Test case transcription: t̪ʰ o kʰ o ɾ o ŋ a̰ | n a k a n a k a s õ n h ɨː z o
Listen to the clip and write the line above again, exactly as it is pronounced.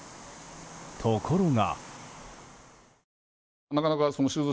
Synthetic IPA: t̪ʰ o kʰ o ɾ o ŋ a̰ | n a k a n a k a s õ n ɕ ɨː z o